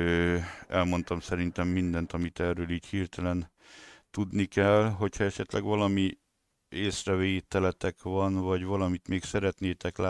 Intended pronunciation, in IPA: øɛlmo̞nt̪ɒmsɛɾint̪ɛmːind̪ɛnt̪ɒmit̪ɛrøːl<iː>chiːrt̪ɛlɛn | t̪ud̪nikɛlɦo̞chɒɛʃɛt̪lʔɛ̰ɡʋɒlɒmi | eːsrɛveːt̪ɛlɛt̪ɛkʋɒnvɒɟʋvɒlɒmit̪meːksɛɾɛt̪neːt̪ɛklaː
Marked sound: correct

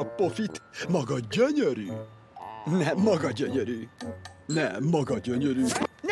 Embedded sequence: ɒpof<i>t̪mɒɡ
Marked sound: correct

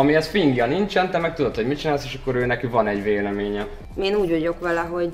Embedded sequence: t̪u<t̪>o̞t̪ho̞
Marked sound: incorrect: d̪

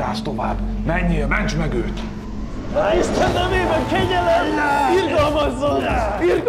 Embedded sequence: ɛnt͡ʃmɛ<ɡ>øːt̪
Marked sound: correct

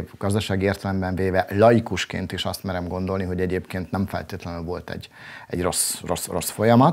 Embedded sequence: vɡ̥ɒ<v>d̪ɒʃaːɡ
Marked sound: incorrect: z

